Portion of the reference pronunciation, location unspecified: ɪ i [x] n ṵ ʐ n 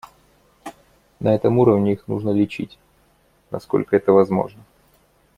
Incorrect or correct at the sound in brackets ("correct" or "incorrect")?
correct